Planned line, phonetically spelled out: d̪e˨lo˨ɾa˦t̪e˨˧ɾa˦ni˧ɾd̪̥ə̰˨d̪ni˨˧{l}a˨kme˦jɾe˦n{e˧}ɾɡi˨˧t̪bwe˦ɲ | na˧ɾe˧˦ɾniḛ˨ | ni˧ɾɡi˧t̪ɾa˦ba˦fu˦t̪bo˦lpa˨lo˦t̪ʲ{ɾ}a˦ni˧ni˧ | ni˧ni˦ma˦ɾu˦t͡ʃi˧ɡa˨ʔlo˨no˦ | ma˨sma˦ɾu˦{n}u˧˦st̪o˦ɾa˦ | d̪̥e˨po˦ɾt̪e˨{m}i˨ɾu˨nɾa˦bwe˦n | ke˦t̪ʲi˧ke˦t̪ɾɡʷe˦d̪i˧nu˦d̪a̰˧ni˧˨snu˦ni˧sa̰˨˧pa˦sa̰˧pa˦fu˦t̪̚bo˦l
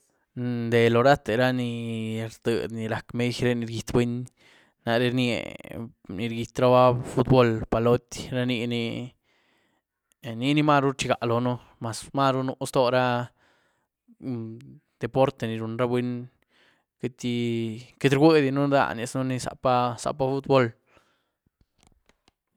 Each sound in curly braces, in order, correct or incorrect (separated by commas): incorrect, incorrect, correct, correct, incorrect